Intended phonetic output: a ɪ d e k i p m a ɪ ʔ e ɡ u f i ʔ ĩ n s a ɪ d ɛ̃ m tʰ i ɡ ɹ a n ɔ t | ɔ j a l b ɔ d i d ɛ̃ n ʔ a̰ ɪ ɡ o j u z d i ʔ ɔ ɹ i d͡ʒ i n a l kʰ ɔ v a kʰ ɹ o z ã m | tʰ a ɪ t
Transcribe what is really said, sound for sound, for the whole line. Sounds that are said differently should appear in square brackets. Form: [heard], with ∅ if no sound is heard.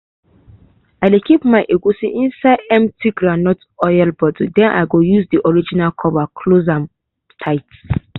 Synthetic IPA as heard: a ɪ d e k i p m a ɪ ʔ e ɡ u [s] i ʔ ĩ n s a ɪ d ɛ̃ m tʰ i ɡ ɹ a n ɔ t | ɔ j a l b ɔ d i d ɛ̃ n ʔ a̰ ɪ ɡ o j u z d i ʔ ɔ ɹ i d͡ʒ i n a l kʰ ɔ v a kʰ [l] o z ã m | tʰ a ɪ t